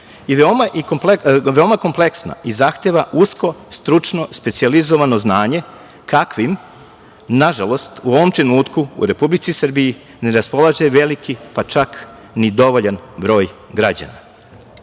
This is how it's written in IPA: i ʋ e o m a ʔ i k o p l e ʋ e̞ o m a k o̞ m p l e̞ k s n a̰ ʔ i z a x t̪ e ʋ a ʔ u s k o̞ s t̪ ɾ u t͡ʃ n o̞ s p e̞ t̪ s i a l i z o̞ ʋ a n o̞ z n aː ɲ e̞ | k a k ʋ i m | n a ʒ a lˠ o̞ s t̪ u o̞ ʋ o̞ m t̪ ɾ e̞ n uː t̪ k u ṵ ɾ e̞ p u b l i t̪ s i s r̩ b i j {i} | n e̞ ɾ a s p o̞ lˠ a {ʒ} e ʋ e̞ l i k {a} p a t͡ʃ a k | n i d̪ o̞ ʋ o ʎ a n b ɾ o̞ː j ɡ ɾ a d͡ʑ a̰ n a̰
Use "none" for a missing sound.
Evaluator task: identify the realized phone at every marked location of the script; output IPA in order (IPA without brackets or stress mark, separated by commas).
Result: i, ʒ, i